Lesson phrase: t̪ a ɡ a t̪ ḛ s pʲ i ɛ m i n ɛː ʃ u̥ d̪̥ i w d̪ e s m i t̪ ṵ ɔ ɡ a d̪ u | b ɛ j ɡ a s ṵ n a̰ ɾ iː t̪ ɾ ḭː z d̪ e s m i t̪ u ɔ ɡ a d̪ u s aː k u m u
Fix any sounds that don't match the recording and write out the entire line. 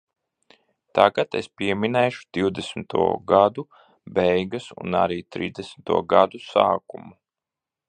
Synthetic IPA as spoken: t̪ a ɡ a t̪ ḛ s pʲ i ɛ m i n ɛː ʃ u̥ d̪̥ i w d̪ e s m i t̪ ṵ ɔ ɡ a d̪ u | b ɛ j ɡ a s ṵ n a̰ ɾ iː t̪ ɾ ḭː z d̪ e s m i t̪ u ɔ ɡ a d̪ u s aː k u m u